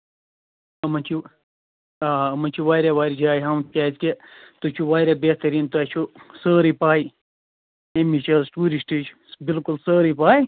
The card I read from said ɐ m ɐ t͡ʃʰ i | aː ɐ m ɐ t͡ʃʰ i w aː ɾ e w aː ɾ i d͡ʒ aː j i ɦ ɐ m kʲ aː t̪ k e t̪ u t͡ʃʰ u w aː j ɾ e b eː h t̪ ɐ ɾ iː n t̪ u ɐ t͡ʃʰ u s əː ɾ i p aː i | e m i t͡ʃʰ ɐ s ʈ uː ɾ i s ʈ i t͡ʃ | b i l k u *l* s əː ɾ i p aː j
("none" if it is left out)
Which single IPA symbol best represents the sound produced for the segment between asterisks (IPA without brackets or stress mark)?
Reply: l